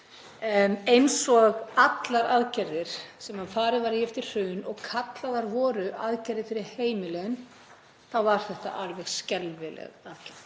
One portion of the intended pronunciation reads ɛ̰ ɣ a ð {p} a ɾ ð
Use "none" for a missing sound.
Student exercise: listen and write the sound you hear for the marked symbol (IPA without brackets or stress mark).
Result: c